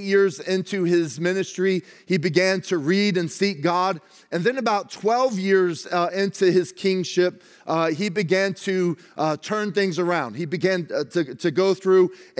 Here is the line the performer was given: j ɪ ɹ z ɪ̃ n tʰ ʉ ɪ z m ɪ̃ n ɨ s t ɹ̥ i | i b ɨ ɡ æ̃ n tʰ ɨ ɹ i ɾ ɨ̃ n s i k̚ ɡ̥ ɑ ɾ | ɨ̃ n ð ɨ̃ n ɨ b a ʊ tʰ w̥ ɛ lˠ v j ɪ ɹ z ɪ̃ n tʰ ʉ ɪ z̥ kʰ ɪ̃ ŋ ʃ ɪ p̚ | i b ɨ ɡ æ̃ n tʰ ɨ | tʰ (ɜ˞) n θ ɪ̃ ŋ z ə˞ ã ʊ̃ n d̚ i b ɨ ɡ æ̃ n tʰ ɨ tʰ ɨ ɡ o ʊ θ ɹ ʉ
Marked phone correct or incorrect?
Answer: incorrect